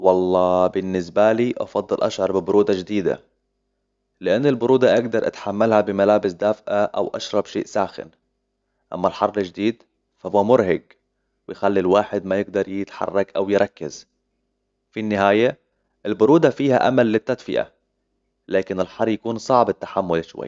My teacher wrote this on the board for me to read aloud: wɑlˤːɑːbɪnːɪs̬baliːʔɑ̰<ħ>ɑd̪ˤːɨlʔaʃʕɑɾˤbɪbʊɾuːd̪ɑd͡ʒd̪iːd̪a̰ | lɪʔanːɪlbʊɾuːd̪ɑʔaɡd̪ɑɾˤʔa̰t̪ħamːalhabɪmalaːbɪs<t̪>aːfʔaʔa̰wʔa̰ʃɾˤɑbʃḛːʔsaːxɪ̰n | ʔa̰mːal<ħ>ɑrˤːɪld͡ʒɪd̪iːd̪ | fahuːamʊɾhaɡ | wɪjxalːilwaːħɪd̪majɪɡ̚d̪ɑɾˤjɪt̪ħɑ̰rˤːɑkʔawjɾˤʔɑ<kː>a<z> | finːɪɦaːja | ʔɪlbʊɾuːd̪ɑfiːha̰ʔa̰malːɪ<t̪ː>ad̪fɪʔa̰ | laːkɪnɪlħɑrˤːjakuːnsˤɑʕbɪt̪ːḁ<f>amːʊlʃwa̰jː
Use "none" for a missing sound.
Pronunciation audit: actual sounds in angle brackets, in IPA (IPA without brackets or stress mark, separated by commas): f, d̪, ħ, kː, z, t̪ː, ħ